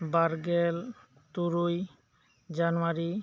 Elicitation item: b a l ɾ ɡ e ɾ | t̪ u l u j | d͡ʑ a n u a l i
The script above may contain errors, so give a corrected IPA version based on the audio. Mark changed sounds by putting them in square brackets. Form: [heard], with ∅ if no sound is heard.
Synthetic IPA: b a [∅] ɾ ɡ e [l] | t̪ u [ɾ] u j | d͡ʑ a n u a [ɾ] i